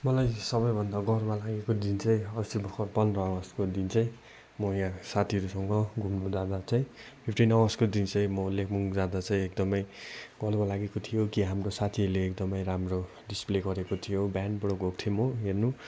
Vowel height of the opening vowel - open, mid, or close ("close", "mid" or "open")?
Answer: mid